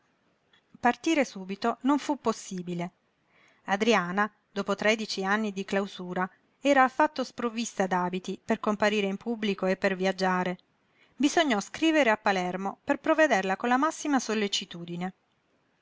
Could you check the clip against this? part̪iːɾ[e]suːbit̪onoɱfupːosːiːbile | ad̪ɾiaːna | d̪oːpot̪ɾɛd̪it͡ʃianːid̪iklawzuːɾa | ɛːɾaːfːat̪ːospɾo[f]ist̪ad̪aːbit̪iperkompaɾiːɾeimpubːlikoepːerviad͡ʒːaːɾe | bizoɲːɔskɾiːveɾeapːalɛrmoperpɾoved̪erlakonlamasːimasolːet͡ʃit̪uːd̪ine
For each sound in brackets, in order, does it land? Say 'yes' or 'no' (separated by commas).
yes, no